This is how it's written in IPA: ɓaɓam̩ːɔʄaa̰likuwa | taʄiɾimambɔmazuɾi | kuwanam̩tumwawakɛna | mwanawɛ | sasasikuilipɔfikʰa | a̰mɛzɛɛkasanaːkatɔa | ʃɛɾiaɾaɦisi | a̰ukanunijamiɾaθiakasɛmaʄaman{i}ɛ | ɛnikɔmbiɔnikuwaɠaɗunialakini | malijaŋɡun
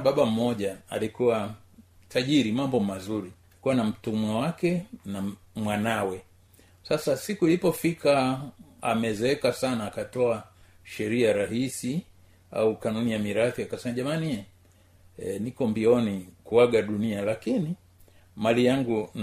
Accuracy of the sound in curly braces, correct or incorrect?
correct